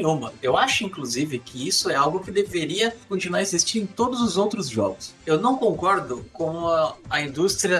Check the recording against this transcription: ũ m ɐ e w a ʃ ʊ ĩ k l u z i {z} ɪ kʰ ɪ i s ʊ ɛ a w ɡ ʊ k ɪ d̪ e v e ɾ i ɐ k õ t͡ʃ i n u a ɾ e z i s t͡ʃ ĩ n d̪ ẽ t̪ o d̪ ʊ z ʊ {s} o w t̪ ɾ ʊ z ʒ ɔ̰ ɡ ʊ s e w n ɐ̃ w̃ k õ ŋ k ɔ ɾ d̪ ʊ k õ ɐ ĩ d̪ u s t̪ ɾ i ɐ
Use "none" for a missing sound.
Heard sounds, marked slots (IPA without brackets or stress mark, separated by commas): v, z